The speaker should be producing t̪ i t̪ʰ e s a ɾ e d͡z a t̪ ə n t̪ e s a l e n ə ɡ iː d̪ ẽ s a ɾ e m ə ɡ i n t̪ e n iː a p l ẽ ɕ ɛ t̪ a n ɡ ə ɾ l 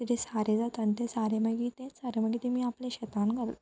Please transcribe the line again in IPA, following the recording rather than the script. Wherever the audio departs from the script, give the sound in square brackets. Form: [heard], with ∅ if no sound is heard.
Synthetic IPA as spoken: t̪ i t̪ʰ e s a ɾ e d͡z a t̪ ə n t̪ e s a [ɾ] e [m] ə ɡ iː [t̪] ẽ s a ɾ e m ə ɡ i [∅] t̪ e [m] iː a p l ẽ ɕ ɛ t̪ a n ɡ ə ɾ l